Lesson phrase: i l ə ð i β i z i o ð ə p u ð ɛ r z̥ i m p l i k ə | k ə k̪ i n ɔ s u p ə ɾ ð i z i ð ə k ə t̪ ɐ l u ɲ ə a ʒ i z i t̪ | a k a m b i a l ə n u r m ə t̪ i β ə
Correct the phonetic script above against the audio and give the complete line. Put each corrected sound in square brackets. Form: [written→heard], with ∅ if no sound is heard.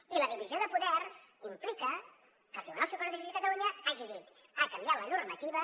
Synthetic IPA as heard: i l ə ð i β i z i o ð ə p u ð ɛ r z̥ i m p l i k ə | k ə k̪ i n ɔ s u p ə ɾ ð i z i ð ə k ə t̪ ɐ l u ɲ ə a ʒ i [z→ð] i t̪ | a k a m b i a l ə n u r m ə t̪ i β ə